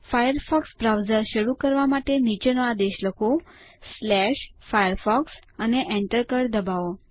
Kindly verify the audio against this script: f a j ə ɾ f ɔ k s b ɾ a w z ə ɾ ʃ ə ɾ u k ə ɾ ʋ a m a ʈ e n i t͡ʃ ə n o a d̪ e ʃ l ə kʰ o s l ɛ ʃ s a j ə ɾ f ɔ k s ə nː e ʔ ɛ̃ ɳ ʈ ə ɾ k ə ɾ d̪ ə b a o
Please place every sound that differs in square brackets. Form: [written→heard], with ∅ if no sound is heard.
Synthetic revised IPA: f a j ə ɾ f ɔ k s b ɾ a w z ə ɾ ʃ ə ɾ u k ə ɾ ʋ a m a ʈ e n i t͡ʃ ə n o a d̪ e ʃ l ə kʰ o s l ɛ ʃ [s→f] a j ə ɾ f ɔ k s ə [nː→n] e ʔ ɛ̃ ɳ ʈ ə ɾ k ə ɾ d̪ ə b a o